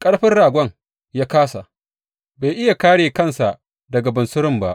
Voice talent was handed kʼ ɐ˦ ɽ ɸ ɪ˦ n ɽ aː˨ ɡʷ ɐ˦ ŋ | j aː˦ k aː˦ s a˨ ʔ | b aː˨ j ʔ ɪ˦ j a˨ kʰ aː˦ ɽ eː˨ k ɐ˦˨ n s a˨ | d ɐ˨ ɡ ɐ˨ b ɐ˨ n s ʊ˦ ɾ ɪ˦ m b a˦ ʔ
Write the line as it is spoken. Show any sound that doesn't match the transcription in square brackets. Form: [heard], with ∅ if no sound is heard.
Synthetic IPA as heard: kʼ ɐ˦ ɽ ɸ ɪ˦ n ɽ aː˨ ɡʷ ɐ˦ ŋ | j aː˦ k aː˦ s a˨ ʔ | b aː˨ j ʔ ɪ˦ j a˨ [k] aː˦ ɽ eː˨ k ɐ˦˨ n s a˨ | d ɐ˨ ɡ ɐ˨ b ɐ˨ n s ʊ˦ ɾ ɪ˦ m b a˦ ʔ